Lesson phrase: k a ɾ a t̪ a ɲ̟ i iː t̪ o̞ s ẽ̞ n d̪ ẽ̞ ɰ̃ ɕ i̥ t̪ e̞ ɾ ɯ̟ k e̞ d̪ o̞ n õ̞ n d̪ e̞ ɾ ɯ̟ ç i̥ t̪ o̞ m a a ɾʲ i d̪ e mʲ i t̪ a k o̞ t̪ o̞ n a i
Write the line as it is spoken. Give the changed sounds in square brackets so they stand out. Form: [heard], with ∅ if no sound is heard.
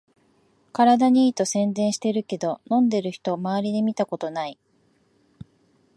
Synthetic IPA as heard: k a ɾ a [d̪] a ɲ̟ i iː t̪ o̞ s ẽ̞ n d̪ ẽ̞ ɰ̃ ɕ i̥ t̪ e̞ ɾ ɯ̟ k e̞ d̪ o̞ n õ̞ n d̪ e̞ ɾ ɯ̟ ç i̥ t̪ o̞ m a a ɾʲ i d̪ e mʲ i t̪ a k o̞ t̪ o̞ n a i